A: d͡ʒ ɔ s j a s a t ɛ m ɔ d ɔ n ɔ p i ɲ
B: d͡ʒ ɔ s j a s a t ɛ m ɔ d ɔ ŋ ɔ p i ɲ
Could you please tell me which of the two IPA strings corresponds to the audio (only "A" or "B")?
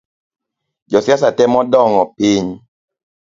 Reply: B